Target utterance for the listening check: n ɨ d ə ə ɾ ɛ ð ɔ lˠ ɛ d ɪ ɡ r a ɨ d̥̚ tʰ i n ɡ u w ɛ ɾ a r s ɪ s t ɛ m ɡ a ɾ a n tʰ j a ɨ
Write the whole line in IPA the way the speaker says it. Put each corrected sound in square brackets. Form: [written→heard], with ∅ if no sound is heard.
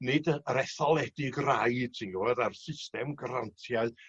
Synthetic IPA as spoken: n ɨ d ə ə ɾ ɛ [ð→θ] ɔ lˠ ɛ d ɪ ɡ r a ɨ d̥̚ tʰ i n ɡ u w ɛ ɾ a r s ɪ s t ɛ m ɡ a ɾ a n tʰ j a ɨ